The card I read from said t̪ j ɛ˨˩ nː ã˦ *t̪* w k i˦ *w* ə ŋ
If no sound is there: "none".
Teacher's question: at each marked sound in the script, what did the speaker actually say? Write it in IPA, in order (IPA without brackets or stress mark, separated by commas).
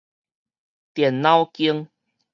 none, none